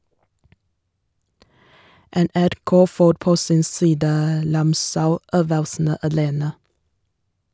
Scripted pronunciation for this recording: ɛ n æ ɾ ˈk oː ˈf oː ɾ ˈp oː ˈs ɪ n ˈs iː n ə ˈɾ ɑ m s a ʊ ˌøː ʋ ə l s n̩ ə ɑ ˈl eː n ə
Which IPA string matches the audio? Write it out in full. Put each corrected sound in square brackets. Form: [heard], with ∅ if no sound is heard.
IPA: ɛ n æ ɾ ˈk oː ˈf oː ɾ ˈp oː ˈs ɪ n ˈs iː [d] ə ˈɾ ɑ m s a ʊ ˌøː ʋ ə l s n̩ ə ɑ ˈl eː n ə